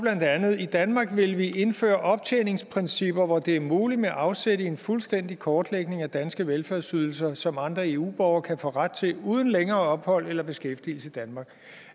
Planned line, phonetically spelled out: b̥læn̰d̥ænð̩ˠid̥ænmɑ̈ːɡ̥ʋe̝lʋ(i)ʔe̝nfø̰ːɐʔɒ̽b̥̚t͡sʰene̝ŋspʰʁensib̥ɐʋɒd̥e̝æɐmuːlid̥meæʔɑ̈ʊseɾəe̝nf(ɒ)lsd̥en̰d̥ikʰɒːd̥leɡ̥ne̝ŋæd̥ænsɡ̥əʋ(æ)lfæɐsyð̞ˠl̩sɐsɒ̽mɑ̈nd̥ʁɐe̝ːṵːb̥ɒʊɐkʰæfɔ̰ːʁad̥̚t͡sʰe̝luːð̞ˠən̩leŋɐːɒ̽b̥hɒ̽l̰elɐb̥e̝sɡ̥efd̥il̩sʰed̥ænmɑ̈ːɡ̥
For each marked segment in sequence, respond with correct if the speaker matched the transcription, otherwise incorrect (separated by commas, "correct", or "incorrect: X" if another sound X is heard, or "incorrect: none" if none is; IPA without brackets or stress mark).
correct, incorrect: u, incorrect: e